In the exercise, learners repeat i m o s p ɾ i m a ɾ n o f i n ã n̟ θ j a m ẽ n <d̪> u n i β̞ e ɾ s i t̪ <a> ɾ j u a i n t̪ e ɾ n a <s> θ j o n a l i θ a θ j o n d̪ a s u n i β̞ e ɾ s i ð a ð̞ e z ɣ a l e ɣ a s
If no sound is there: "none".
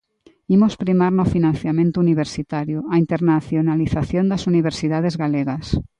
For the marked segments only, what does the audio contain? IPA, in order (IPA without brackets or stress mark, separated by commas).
t̪, a, none